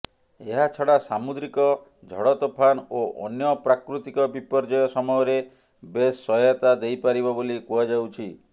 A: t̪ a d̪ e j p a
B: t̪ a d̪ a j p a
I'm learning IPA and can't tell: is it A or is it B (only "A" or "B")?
A